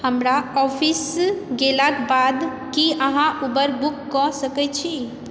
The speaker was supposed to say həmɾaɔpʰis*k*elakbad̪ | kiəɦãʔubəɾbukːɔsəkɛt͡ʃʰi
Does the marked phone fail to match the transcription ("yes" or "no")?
yes